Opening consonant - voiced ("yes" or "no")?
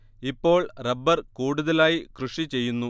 no